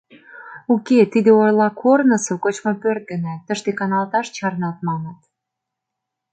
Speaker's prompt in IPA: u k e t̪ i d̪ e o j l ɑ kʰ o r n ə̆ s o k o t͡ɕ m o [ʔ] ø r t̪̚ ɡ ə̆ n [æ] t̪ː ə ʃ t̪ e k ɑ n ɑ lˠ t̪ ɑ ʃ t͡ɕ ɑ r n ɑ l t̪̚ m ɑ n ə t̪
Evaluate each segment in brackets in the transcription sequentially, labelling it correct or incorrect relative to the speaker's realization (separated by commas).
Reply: incorrect, correct